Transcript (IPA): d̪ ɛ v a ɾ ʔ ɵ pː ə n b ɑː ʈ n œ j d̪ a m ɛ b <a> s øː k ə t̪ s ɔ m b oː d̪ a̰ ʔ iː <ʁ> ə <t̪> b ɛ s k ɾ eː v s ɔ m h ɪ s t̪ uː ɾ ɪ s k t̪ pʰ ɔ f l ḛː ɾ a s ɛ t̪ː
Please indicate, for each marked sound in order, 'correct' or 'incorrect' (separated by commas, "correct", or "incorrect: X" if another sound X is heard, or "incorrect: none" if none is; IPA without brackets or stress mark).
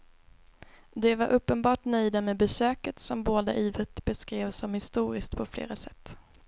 incorrect: ɛ, incorrect: v, correct